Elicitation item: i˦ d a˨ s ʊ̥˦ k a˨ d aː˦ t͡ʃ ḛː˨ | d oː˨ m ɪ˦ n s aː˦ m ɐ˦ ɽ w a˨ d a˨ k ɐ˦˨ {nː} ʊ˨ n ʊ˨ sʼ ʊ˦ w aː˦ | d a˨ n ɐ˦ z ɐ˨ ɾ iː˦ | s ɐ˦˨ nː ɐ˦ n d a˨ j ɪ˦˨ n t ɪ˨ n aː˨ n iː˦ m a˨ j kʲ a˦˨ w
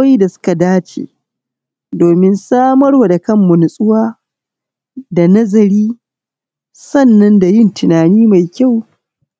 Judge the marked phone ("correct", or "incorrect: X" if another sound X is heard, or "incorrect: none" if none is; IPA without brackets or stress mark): incorrect: mː